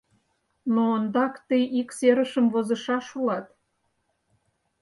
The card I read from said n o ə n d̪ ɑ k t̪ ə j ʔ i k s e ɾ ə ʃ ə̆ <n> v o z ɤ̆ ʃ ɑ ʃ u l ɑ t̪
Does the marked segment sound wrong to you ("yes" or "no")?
yes